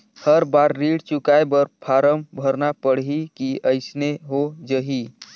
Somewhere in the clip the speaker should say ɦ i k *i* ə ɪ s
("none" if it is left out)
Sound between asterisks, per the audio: i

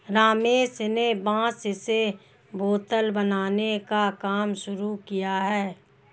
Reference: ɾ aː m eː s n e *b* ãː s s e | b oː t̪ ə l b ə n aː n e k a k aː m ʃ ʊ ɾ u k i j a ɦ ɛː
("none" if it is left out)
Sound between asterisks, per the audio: b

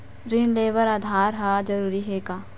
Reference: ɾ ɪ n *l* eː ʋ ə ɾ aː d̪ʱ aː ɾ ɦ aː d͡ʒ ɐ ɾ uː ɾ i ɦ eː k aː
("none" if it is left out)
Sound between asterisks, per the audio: l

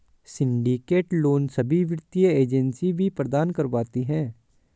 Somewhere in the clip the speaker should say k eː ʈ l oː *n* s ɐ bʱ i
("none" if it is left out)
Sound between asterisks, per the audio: n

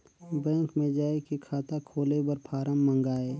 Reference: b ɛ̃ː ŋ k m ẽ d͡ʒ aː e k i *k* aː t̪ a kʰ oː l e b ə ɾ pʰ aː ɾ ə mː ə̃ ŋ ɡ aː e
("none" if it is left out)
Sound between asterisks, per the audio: kʰ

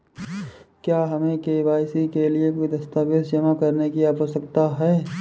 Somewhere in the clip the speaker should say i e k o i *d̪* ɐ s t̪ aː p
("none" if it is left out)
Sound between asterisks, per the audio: d̪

